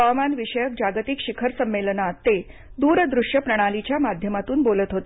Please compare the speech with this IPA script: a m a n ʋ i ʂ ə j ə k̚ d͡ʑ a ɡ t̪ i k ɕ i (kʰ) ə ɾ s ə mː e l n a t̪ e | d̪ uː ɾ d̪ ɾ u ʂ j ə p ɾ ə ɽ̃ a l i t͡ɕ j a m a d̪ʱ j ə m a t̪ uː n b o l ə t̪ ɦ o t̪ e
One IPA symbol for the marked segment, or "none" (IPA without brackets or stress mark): kʰ